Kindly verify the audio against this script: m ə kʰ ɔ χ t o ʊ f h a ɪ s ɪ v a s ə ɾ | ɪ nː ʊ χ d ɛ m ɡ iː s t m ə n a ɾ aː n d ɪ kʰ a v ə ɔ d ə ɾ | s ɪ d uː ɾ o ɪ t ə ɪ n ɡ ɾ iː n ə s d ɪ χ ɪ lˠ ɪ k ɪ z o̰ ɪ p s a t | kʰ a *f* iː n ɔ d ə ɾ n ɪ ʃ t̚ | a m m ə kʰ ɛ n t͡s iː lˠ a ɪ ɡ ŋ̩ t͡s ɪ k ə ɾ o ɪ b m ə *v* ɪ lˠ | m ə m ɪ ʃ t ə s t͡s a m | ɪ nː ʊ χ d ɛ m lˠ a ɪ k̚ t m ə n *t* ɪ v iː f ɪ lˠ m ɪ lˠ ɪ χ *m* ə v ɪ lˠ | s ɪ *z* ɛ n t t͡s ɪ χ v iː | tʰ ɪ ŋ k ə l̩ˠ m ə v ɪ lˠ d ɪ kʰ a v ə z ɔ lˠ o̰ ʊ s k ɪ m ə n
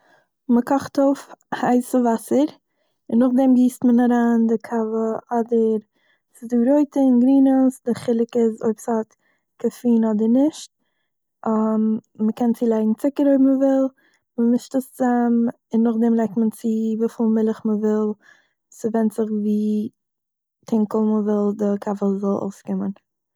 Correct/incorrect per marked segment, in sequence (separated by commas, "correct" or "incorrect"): correct, correct, incorrect, correct, incorrect